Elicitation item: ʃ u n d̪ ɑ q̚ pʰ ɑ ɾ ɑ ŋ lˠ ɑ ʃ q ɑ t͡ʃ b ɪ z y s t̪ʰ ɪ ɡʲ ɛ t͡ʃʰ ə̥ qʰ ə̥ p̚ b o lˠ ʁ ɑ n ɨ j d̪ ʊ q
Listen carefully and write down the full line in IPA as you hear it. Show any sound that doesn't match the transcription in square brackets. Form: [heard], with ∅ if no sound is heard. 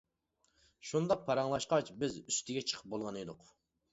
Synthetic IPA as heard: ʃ u n d̪ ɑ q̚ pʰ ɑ ɾ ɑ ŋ lˠ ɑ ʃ q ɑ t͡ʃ b ɪ z y s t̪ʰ ɪ ɡʲ ɛ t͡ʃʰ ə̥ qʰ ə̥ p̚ b o lˠ ʁ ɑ n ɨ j d̪ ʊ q